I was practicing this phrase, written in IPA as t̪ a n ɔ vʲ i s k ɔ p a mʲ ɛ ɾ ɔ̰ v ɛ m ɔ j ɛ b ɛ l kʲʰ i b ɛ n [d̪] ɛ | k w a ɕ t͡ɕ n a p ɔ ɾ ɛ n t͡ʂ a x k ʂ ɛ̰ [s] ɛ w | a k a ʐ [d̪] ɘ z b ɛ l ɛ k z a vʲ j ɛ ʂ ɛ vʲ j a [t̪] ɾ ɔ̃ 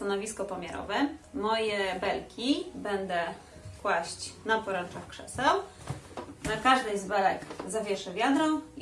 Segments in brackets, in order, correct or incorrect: correct, correct, correct, incorrect: d̪

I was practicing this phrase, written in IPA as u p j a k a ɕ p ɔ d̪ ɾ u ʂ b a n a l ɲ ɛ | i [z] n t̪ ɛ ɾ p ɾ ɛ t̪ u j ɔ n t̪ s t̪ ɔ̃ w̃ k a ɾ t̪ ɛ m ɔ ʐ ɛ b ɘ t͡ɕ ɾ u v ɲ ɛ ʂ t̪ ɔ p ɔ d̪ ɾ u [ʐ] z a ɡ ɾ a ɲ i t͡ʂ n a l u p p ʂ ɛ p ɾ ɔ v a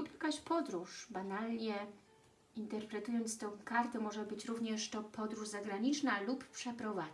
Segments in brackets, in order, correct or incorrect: incorrect: none, correct

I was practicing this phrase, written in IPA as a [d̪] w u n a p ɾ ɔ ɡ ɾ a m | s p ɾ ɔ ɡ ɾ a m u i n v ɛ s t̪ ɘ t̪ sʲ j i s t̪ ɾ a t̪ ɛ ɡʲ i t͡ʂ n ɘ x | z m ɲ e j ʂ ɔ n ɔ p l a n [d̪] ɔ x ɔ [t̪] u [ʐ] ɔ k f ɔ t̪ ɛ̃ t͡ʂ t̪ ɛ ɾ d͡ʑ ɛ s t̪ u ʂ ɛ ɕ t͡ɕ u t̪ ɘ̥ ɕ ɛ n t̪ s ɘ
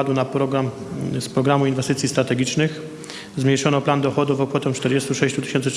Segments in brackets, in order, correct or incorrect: correct, correct, incorrect: d̪, incorrect: v

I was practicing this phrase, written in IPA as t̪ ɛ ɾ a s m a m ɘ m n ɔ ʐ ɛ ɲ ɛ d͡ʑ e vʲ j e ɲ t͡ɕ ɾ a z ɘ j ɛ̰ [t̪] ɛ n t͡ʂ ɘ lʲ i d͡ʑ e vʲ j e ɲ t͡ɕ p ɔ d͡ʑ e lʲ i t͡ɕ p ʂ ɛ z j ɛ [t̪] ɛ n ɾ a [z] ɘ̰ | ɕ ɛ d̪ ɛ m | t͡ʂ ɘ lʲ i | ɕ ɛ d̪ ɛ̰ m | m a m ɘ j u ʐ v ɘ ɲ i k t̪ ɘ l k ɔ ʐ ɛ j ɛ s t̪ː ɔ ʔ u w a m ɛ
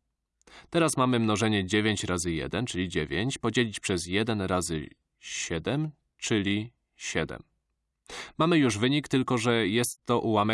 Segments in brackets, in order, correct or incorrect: incorrect: d̪, incorrect: d̪, correct

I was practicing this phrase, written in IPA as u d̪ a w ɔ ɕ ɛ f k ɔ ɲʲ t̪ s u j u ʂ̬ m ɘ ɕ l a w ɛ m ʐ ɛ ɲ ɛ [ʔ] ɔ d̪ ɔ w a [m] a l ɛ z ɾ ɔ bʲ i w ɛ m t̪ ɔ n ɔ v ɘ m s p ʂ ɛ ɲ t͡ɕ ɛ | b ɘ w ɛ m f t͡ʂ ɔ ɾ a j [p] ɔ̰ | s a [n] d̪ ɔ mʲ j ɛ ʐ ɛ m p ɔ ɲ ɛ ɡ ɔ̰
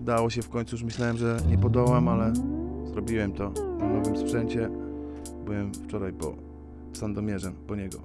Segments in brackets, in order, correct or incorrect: incorrect: p, correct, correct, correct

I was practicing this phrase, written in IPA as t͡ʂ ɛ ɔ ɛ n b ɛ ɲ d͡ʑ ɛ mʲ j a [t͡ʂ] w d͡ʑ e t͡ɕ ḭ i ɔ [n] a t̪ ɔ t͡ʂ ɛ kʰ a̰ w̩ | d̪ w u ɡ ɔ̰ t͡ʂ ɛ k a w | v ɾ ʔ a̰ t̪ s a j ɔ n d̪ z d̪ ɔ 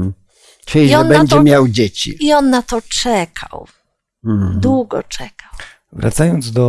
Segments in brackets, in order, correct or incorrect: incorrect: none, incorrect: nː

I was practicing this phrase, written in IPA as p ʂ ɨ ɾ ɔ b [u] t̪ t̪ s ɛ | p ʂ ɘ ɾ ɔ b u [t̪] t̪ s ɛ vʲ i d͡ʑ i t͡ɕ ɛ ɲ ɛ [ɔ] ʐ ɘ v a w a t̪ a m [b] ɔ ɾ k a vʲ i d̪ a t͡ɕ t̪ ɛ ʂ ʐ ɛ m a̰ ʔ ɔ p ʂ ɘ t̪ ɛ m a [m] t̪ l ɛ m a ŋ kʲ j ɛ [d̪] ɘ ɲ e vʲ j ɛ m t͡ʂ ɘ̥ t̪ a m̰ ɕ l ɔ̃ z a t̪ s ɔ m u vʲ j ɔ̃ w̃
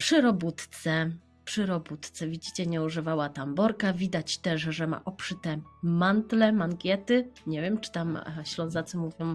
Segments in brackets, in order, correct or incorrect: correct, correct, incorrect: u, correct, incorrect: n, incorrect: t̪

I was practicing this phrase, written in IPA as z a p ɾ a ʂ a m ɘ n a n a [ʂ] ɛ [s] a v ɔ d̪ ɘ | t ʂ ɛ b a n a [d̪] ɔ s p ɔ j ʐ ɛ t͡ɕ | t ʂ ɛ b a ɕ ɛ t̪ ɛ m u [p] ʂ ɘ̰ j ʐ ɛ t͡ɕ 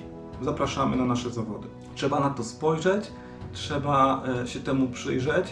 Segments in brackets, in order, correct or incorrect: correct, incorrect: z, incorrect: t̪, correct

